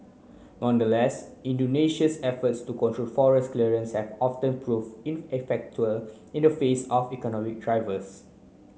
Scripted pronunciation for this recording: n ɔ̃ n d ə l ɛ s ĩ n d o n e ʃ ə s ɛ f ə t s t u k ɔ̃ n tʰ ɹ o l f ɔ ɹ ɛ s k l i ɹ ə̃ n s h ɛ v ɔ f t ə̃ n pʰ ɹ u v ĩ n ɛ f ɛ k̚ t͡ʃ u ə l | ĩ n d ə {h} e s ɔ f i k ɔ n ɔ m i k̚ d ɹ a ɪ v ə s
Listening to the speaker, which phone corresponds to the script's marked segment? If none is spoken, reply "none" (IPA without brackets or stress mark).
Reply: f